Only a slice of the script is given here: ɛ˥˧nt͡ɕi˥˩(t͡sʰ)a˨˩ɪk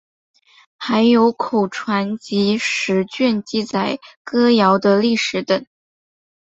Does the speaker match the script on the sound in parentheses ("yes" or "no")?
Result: no